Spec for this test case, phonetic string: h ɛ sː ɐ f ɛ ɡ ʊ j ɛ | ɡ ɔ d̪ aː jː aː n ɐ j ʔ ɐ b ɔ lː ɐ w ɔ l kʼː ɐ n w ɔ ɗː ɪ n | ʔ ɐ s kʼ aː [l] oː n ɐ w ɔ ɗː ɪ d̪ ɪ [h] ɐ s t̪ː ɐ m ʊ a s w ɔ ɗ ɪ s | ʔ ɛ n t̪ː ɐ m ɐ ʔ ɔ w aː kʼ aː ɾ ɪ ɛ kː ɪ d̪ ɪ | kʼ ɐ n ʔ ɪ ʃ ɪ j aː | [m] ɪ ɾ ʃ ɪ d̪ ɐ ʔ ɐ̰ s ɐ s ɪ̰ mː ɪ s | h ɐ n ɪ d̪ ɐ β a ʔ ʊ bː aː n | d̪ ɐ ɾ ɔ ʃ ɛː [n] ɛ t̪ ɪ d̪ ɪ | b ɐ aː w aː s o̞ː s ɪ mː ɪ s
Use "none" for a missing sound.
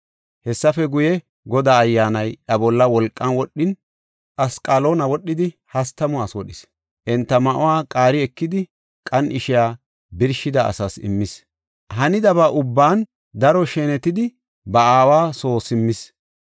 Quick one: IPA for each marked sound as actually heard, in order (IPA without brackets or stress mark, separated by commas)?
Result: l, h, b, n